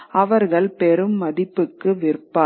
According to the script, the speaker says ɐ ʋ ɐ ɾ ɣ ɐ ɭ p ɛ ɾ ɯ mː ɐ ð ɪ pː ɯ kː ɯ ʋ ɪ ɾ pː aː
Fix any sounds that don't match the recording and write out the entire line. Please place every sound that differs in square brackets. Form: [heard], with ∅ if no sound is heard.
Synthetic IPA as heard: ɐ ʋ ɐ ɾ ɣ ɐ ɭ p ɛ ɾ ɯ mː ɐ ð ɪ pː ɯ kː ɯ ʋ ɪ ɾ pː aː